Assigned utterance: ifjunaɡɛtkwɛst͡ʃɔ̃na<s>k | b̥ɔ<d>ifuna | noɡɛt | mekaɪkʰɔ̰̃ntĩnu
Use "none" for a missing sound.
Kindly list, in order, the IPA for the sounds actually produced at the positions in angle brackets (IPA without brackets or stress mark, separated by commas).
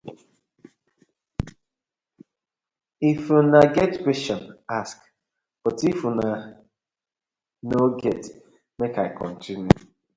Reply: s, t